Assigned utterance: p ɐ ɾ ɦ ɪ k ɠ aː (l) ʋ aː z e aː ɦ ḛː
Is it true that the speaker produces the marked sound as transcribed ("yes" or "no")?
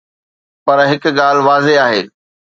yes